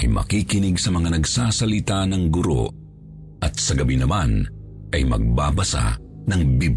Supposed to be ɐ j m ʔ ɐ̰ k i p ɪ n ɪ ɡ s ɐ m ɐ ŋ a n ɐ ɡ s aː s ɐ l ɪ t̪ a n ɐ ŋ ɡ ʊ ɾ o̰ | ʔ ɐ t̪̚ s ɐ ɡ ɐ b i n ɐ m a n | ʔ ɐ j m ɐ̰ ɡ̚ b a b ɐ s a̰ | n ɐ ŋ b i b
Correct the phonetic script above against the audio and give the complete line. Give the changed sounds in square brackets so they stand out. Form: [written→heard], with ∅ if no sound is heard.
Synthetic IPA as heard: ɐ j m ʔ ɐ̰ k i [p→k] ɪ n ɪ ɡ s ɐ m ɐ ŋ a n ɐ ɡ s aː s ɐ l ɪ t̪ a n ɐ ŋ ɡ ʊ ɾ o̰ | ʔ ɐ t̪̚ s ɐ ɡ ɐ b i n ɐ m a n | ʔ ɐ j m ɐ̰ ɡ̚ b a b ɐ s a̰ | n ɐ ŋ b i b